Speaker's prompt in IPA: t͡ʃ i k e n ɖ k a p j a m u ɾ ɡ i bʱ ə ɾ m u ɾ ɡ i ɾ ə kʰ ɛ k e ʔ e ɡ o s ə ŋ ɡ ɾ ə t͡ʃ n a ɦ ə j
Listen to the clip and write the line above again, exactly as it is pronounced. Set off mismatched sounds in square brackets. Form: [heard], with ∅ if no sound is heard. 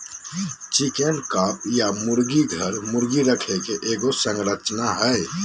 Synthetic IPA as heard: t͡ʃ i k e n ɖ k a p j a m u ɾ ɡ i [ɡʱ] ə ɾ m u ɾ ɡ i ɾ ə kʰ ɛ k e ʔ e ɡ o s ə ŋ ɡ ɾ ə t͡ʃ n a ɦ ə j